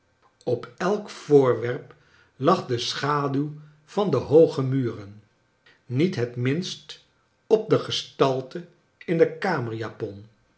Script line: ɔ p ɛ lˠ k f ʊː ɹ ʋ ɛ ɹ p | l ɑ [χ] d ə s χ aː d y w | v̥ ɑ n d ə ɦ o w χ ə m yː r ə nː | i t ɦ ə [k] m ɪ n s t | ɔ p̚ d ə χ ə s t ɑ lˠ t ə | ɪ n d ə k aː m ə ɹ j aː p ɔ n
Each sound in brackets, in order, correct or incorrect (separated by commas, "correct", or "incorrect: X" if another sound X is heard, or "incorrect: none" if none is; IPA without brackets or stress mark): correct, incorrect: t